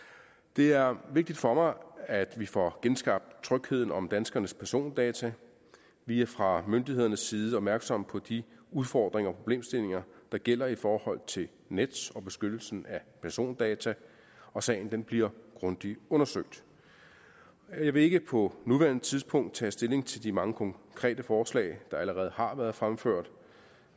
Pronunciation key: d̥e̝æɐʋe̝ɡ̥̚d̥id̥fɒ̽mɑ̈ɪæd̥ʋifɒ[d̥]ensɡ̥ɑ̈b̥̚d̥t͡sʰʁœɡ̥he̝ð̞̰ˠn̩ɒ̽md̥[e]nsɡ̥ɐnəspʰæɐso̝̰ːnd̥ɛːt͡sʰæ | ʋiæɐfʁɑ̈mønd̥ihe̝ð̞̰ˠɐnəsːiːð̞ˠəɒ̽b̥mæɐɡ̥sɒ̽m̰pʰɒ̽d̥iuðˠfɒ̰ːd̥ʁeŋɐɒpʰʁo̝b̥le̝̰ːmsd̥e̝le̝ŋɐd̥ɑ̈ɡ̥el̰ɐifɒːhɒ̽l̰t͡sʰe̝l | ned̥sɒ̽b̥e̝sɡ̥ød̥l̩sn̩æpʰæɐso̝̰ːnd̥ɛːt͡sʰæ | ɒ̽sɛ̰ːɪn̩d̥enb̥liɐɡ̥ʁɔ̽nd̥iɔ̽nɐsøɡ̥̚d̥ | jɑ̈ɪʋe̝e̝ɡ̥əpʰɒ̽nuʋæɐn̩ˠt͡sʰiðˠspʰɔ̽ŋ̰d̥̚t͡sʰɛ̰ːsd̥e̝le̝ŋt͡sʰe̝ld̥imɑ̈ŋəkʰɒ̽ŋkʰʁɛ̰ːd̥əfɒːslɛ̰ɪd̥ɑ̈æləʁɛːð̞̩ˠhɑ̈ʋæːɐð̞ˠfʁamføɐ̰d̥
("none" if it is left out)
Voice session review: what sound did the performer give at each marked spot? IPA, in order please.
ɡ̥, æ

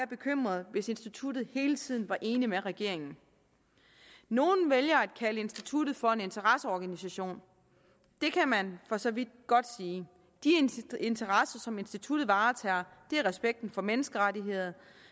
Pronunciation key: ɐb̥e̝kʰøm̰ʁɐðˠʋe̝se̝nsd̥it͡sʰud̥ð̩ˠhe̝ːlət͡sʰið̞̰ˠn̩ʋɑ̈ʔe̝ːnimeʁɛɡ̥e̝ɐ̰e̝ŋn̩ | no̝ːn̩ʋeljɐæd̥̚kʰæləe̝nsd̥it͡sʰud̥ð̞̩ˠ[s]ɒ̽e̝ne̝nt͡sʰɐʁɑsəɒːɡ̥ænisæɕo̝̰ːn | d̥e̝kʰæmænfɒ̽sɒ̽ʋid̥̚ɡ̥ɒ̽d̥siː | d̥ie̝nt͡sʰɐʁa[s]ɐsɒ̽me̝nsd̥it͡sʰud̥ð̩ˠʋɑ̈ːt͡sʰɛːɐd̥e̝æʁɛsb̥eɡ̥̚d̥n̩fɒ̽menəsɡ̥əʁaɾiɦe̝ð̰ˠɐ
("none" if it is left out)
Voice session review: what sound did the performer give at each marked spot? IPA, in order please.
f, s

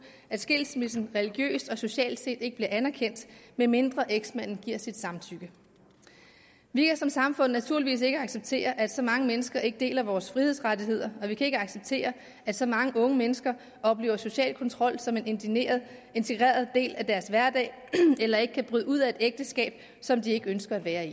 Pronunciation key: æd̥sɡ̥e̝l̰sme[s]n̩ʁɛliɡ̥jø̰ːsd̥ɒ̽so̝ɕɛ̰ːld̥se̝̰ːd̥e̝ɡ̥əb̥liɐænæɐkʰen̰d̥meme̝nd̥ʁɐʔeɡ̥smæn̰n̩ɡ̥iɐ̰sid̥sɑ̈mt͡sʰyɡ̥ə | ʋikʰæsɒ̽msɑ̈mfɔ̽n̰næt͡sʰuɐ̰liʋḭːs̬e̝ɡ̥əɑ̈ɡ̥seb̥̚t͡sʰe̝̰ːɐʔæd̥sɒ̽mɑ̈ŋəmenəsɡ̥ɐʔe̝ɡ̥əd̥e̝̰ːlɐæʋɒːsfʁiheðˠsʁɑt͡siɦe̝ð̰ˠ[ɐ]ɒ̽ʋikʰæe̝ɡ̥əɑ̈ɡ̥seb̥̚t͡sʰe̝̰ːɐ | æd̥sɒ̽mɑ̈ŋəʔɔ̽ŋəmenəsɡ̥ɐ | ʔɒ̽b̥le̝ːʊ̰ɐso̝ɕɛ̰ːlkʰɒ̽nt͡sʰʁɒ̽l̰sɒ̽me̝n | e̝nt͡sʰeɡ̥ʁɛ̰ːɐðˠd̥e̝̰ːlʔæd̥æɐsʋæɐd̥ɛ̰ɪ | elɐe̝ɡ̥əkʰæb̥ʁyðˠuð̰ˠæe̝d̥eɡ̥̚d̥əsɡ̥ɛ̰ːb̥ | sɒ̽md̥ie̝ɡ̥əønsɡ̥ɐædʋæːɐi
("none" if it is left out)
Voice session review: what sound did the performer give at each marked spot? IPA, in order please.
s, ɐ

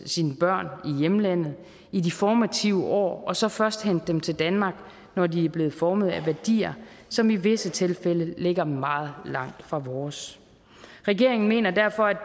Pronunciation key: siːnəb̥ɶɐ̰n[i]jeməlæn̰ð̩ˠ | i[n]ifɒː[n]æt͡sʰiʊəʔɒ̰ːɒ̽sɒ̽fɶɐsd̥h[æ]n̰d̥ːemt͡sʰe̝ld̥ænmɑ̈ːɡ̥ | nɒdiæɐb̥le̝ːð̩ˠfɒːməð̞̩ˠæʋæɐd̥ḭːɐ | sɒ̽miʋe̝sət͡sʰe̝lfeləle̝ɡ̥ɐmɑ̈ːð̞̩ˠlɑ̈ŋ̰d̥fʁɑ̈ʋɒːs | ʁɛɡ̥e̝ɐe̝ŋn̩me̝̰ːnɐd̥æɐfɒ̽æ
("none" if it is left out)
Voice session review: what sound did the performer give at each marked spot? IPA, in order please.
i, d, m, e

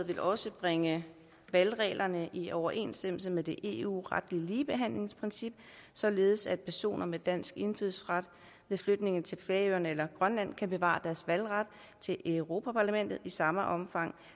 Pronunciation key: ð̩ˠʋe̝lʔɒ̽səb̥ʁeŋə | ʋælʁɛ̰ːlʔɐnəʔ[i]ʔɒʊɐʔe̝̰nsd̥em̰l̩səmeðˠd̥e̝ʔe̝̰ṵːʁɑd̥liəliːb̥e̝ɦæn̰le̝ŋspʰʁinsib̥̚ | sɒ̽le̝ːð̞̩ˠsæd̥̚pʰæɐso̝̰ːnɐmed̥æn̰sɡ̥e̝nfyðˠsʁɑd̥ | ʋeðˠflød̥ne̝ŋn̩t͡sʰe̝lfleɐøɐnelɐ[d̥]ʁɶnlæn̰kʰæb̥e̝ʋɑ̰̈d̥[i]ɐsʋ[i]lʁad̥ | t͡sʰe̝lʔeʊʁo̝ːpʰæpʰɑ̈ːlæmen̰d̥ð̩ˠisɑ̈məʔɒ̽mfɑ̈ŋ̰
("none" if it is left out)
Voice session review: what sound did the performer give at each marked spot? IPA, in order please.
i, ɡ̥, æ, æ

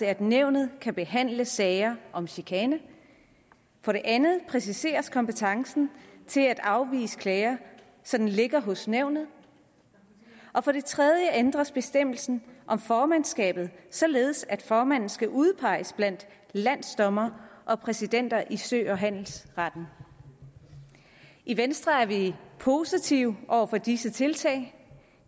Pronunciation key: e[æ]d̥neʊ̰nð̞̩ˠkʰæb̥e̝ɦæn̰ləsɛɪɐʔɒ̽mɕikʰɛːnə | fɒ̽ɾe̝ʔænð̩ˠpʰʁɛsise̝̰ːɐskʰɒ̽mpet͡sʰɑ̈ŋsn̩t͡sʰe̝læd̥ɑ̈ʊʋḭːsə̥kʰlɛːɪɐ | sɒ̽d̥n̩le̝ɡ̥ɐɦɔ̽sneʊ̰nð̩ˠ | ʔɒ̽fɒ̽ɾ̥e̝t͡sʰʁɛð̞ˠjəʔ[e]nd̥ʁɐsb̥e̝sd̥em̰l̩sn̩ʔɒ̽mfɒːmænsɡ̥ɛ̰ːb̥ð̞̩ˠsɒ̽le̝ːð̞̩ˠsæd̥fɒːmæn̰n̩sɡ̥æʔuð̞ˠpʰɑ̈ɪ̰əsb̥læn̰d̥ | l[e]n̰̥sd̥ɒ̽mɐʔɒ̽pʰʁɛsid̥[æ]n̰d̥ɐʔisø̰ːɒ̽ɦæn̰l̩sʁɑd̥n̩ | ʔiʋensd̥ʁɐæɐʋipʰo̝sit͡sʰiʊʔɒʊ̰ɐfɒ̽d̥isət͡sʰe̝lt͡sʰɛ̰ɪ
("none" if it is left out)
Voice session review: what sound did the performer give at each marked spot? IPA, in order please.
æ, e, æ, e

